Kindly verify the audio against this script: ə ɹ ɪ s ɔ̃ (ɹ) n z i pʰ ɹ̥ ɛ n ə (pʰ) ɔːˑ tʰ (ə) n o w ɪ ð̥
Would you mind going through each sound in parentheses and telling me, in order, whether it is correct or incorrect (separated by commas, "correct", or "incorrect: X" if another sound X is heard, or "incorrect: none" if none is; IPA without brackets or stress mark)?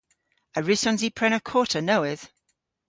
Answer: incorrect: none, incorrect: kʰ, correct